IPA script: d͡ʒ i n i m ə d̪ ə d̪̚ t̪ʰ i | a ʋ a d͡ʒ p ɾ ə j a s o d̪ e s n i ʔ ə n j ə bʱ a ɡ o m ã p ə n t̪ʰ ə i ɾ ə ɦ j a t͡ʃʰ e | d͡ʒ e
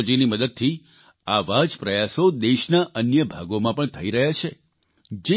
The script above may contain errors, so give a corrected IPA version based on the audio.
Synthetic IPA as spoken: d͡ʒ i n i m ə d̪ ə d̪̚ t̪ʰ i | a ʋ a d͡ʒ p ɾ ə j a s o d̪ e ʃ n a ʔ ə n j ə bʱ a ɡ o m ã p ə ɳ t̪ʰ ə i ɾ ə ɦ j a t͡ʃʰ e | d͡ʒ e